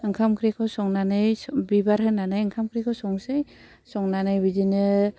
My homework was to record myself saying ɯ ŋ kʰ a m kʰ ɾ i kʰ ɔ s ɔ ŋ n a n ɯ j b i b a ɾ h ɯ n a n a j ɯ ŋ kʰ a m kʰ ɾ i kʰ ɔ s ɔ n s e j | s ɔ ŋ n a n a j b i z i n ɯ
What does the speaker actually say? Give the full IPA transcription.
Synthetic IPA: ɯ ŋ kʰ a m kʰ ɾ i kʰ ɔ s ɔ ŋ n a n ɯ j b i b a ɾ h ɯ n a n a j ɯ ŋ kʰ a m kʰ ɾ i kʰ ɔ s ɔ ŋ s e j | s ɔ ŋ n a n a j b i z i n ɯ

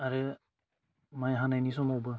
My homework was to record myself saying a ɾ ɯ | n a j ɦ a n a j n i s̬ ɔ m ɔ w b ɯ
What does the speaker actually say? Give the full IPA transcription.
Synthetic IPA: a ɾ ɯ | m a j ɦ a n a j n i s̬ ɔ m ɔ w b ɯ

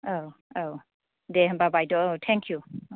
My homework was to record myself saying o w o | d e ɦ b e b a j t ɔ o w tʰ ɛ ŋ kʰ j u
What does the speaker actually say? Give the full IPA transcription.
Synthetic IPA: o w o | d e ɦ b a b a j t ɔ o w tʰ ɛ ŋ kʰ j u

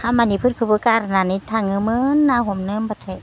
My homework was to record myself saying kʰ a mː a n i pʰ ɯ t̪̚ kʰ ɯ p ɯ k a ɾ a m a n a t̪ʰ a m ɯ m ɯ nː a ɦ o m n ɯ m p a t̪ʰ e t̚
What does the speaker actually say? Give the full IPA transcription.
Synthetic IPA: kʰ a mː a n i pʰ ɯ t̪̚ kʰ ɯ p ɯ k a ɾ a n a n i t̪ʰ a ŋ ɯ m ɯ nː a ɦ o m n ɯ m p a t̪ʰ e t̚

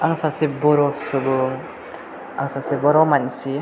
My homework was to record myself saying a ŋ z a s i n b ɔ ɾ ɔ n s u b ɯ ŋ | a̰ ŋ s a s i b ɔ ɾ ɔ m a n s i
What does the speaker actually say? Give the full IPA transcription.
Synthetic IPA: a ŋ s a s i b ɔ ɾ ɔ s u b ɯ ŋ | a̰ ŋ s a s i b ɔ ɾ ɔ m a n s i

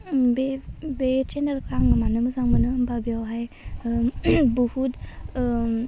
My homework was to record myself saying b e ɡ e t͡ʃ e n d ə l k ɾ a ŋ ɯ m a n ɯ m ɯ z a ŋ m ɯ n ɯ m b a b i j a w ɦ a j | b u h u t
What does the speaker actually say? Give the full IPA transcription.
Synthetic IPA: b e b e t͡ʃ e n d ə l k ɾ a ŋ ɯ m a n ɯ m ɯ z a ŋ m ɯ n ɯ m b a b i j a w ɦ a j | b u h u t

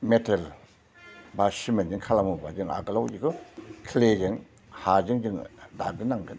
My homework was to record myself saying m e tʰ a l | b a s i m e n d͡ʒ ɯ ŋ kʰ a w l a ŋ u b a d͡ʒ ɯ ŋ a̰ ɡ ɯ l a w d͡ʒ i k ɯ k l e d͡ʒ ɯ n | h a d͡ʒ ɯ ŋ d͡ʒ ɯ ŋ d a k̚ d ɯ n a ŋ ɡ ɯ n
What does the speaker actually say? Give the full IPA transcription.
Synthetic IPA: m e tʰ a l | b a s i m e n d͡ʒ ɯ ŋ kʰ a l a m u b a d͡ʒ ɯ ŋ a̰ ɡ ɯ l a w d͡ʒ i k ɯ kʰ l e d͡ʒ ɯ ŋ | h a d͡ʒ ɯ ŋ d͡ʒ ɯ ŋ d a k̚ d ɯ n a ŋ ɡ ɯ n

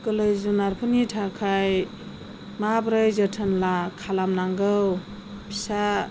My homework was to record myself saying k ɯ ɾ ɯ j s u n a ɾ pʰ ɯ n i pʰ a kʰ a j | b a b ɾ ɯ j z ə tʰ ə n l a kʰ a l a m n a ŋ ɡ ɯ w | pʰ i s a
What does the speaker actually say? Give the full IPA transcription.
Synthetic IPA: k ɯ l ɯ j z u n a ɾ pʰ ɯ n i tʰ a kʰ a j | m a b ɾ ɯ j z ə tʰ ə n l a kʰ a l a m n a ŋ ɡ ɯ w | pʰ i s a

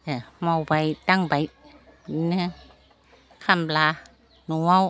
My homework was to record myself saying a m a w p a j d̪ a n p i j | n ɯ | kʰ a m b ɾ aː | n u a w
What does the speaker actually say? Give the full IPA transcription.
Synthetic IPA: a m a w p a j t̪ a ŋ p a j | n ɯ | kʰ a m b l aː | n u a w

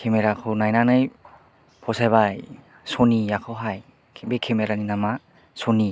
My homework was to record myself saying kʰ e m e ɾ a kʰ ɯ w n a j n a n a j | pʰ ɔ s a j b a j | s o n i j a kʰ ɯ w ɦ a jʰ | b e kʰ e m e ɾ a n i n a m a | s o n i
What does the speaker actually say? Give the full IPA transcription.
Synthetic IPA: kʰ e m e ɾ a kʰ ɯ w n a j n a n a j | pʰ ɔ s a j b a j | s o n i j a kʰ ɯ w ɦ a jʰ | b e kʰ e m e ɾ a n i n a m a | s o n i

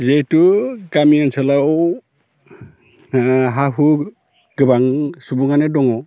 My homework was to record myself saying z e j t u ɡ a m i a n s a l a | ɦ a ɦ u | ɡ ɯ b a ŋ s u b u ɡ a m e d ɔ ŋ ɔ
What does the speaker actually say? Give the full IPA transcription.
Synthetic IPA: z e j t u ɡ a m i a n s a l a | ɦ a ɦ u | ɡ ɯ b a ŋ s u b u ŋ a n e d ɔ ŋ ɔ

